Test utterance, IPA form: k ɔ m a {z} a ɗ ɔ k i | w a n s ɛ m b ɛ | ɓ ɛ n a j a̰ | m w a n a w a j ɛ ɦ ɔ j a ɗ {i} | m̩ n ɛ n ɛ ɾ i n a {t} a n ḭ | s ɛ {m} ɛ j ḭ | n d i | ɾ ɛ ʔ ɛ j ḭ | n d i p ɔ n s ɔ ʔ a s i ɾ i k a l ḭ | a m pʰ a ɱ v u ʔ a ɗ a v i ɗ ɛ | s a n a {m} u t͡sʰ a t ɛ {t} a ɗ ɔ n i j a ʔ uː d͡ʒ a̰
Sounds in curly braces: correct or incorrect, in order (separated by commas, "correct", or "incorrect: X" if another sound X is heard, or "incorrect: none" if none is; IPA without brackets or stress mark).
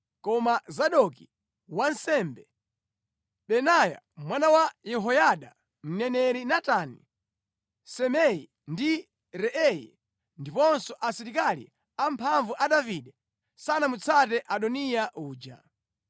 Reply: correct, incorrect: a, correct, correct, correct, incorrect: ʔ